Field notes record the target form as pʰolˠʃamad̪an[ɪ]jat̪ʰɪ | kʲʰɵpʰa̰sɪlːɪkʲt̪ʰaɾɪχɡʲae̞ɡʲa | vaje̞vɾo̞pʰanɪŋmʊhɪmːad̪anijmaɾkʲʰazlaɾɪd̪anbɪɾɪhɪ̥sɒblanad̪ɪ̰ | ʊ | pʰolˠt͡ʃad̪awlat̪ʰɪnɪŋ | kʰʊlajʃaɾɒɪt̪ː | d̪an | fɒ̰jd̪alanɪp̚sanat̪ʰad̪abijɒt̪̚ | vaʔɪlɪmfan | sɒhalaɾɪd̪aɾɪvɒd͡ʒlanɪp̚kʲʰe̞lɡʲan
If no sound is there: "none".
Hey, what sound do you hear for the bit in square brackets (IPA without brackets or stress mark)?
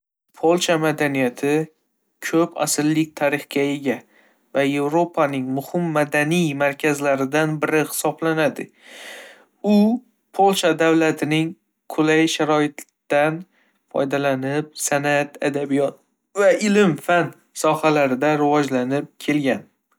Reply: i